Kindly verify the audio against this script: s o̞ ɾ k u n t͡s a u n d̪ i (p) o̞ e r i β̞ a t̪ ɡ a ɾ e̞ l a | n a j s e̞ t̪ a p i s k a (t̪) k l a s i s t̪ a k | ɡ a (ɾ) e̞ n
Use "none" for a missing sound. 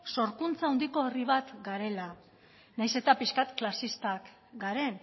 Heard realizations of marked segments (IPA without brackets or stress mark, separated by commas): k, t̪, ɾ